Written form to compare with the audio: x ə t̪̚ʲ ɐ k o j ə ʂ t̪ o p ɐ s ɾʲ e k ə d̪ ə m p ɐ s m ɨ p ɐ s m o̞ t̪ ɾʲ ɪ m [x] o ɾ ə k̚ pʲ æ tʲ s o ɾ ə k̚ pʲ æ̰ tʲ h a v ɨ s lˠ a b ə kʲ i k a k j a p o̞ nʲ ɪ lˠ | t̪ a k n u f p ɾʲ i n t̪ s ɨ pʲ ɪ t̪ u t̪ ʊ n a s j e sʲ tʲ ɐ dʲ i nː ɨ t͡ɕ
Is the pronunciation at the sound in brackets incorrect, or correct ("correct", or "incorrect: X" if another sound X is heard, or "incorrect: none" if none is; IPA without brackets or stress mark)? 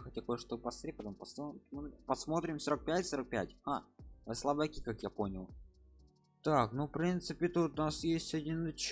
incorrect: s